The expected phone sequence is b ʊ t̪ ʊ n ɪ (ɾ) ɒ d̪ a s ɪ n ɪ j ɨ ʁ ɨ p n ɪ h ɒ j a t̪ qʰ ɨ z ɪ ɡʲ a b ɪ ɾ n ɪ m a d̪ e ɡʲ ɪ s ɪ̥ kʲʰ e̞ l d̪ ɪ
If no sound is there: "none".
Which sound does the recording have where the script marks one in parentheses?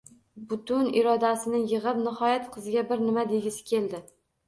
ɾ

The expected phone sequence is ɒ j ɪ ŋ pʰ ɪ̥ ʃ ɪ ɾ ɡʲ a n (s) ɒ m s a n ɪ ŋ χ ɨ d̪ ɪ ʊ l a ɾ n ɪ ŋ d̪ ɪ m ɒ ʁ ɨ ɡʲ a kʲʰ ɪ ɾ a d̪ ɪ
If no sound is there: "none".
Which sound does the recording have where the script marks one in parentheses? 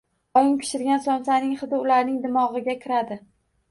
s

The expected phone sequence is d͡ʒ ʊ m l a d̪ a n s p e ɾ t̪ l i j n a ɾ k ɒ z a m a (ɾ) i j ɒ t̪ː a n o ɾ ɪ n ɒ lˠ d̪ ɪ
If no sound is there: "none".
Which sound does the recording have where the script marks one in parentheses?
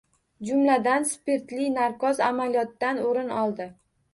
l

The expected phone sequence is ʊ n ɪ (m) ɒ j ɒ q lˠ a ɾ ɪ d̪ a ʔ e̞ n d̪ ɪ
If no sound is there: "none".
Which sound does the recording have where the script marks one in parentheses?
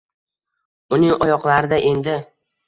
ŋ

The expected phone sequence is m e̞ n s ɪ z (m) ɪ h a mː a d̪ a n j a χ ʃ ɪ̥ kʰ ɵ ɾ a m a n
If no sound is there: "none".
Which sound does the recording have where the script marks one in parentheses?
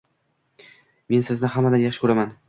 n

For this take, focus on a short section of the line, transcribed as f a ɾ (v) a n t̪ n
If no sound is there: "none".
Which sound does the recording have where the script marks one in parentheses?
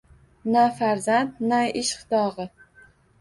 z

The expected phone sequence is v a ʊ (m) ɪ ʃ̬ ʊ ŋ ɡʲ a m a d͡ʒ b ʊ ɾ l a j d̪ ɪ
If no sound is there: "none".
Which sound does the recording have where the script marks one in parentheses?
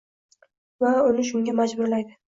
n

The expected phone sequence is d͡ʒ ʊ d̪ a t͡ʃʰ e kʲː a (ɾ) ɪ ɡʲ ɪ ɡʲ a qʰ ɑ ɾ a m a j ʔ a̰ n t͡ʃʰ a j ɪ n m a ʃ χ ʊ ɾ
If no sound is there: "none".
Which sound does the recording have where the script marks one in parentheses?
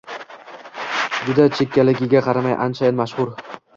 l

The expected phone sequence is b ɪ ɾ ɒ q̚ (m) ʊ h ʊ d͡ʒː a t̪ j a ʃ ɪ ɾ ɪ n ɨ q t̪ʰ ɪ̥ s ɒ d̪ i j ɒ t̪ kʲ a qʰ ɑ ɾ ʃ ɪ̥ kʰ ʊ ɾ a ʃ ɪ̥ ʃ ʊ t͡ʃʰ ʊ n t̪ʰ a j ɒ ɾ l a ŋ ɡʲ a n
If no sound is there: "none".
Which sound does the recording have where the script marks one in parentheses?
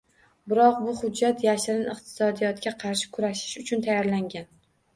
b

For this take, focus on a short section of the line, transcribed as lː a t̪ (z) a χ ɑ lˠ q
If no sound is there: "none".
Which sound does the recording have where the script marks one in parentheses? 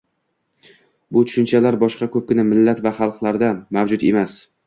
v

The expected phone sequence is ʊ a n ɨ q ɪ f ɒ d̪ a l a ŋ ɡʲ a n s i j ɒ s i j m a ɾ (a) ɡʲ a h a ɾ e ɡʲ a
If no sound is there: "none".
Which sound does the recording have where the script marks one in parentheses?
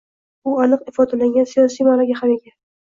a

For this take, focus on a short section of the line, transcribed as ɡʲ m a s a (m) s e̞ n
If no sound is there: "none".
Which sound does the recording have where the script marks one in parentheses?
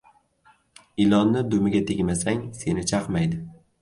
ŋ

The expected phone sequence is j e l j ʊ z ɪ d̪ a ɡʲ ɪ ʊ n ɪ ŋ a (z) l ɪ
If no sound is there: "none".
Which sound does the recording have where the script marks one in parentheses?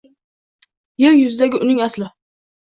s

